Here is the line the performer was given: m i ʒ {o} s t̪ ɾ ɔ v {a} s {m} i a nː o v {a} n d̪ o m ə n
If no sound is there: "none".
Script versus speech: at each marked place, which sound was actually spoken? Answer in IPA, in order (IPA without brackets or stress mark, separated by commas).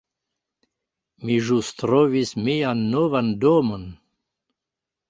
u, i, m, a